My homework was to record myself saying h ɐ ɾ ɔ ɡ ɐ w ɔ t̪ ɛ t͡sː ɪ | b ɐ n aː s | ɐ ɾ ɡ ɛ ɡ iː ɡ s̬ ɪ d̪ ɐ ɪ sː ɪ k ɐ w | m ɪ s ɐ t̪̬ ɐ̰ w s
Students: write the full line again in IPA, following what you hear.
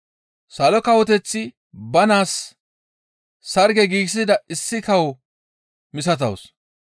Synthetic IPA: s ɐ l ɔ k ɐ w ɔ t̪ ɛ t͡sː ɪ | b ɐ n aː s | ɐ ɾ ɡ ɛ ɡ iː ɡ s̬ ɪ d̪ ɐ ɪ sː ɪ k ɐ w | m ɪ s ɐ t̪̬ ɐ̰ w s

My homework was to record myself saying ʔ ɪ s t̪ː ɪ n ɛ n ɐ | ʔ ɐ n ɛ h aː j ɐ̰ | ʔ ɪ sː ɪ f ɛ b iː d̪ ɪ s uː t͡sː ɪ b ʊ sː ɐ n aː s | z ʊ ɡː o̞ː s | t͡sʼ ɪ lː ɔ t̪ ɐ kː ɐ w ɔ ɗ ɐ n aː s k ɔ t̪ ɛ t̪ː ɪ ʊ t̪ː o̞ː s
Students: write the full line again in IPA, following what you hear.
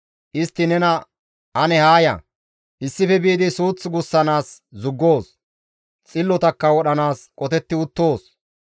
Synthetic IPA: ʔ ɪ s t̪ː ɪ n ɛ n ɐ | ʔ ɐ n ɛ h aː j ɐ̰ | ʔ ɪ sː ɪ f ɛ b iː d̪ ɪ s uː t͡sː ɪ ɡ ʊ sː ɐ n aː s | z ʊ ɡː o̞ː s | t͡sʼ ɪ lː ɔ t̪ ɐ kː ɐ w ɔ ɗ ɐ n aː s kʼ ɔ t̪ ɛ t̪ː ɪ ʊ t̪ː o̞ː s

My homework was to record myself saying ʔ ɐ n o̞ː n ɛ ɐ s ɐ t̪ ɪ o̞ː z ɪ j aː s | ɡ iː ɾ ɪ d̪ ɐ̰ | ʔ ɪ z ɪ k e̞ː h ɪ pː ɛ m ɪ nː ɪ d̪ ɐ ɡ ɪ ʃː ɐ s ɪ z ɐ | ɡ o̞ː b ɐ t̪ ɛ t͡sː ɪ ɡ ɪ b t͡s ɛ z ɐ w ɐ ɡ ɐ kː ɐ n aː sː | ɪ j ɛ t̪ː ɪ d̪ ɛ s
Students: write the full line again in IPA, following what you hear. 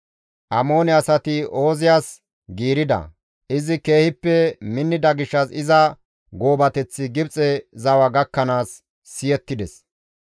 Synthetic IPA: ʔ ɐ m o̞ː n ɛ ɐ s ɐ t̪ ɪ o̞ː z ɪ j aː s | ɡ iː ɾ ɪ d̪ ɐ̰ | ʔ ɪ z ɪ k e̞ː h ɪ pː ɛ m ɪ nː ɪ d̪ ɐ ɡ ɪ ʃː ɐ s ɪ z ɐ | ɡ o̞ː b ɐ t̪ ɛ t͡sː ɪ ɡ ɪ b t͡sʼ ɛ z ɐ w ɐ ɡ ɐ kː ɐ n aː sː | ɪ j ɛ t̪ː ɪ d̪ ɛ s

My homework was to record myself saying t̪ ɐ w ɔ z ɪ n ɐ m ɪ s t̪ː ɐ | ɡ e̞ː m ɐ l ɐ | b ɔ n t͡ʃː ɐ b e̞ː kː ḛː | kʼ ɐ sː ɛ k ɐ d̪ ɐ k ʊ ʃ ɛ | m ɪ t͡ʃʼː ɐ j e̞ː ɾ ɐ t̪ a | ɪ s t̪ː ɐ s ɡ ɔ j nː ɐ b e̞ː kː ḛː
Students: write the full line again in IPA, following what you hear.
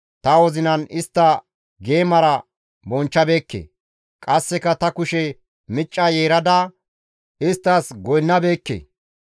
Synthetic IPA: t̪ ɐ w ɔ z ɪ n ɐ n ɪ s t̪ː ɐ | ɡ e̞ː m ɐ ɾ ɐ | b ɔ n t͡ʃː ɐ b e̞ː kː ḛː | kʼ ɐ sː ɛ k ɐ t̪ ɐ k ʊ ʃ ɛ | m ɪ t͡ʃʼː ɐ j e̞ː ɾ ɐ d̪ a | ɪ s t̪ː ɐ s ɡ ɔ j nː ɐ b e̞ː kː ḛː

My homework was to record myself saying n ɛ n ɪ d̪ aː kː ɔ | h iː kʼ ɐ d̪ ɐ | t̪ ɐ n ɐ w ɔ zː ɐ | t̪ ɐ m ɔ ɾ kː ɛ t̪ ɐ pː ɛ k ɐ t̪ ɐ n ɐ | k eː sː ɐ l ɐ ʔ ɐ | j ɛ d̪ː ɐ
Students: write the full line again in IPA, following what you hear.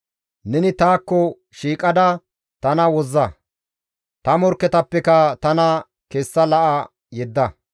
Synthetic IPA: n ɛ n ɪ t̪ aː kː ɔ | ʃ iː kʼ ɐ d̪ ɐ | t̪ ɐ n ɐ w ɔ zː ɐ | t̪ ɐ m ɔ ɾ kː ɛ t̪ ɐ pː ɛ k ɐ t̪ ɐ n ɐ | k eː sː ɐ l ɐ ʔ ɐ | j ɛ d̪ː ɐ

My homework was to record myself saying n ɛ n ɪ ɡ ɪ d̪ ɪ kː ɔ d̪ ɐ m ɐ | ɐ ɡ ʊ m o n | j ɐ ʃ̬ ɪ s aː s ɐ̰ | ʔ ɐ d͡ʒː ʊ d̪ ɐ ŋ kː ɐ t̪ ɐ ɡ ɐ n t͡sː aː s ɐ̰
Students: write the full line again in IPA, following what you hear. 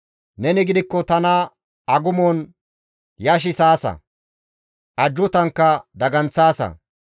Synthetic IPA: n ɛ n ɪ ɡ ɪ d̪ ɪ kː ɔ t̪ ɐ n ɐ | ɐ ɡ ʊ m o n | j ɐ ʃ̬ ɪ s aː s ɐ̰ | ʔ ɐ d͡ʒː ʊ t̪ ɐ ŋ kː ɐ d̪ ɐ ɡ ɐ n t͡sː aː s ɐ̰

